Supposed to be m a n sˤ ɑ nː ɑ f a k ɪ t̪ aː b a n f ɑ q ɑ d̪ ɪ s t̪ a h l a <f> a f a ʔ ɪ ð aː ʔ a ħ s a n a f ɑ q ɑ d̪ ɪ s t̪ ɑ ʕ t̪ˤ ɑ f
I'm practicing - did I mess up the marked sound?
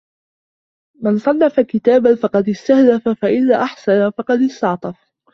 no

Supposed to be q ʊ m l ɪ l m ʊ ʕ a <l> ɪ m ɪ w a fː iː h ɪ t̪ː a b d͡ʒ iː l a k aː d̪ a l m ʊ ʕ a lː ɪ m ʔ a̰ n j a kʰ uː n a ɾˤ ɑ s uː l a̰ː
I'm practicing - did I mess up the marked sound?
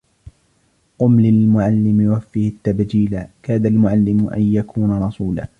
yes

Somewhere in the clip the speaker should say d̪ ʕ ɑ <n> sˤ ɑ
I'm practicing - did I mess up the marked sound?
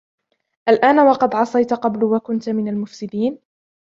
yes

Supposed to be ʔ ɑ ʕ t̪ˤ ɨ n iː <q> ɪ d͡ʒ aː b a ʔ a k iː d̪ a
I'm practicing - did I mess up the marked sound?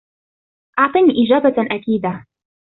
yes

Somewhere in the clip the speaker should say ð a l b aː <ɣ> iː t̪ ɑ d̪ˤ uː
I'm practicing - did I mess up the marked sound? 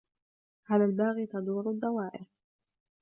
no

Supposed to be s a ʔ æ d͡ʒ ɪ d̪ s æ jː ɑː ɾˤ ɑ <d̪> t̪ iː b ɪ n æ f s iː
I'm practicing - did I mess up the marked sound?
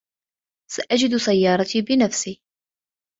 yes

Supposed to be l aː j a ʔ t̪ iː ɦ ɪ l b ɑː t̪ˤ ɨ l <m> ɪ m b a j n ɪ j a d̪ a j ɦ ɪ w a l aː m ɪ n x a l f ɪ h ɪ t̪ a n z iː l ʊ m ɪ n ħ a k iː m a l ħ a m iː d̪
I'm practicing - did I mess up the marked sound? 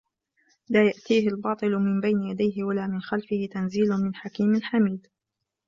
no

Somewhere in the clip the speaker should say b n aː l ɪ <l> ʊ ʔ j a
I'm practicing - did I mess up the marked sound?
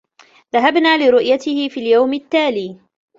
yes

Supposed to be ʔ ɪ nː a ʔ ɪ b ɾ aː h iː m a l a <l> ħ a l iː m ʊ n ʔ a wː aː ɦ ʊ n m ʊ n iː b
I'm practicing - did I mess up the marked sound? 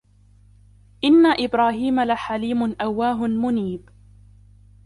yes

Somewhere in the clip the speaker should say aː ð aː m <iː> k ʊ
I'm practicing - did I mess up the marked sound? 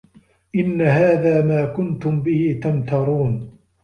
yes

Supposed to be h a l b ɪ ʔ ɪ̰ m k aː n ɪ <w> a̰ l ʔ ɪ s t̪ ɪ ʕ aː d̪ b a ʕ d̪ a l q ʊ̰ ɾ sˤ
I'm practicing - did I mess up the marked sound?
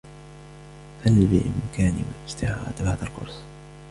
no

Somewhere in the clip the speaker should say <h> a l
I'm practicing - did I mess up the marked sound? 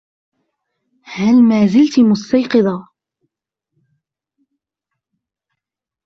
no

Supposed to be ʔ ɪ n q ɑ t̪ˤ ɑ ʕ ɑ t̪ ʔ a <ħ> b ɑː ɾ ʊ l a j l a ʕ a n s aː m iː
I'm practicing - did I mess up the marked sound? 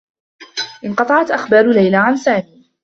yes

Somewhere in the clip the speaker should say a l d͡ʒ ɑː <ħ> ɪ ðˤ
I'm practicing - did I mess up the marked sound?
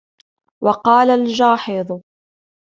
no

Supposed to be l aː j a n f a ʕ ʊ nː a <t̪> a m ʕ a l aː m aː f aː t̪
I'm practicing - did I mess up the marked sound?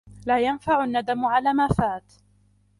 yes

